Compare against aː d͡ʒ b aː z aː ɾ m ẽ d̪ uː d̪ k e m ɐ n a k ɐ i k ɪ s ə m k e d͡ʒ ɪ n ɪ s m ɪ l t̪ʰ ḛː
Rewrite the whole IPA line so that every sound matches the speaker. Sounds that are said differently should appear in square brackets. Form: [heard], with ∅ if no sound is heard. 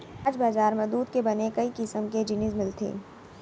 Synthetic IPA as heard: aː d͡ʒ b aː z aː ɾ m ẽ d̪ uː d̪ k e [b] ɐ n [e] k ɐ i k ɪ s ə m k e d͡ʒ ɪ n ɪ [z] m ɪ l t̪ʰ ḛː